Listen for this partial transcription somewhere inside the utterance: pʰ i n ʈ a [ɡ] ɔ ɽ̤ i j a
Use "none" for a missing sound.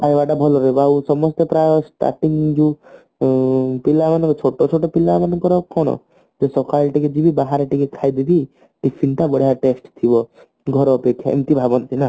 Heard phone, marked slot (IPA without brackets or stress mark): b